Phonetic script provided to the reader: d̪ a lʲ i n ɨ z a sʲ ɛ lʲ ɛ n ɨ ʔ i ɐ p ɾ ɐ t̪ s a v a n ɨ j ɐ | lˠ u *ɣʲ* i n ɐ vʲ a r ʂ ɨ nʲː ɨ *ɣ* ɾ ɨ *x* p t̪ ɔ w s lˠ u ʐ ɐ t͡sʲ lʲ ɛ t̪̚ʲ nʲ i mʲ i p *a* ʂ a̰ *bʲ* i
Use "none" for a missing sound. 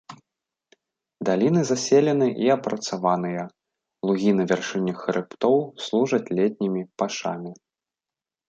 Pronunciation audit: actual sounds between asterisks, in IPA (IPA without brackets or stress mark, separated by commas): ɣʲ, x, none, a, mʲ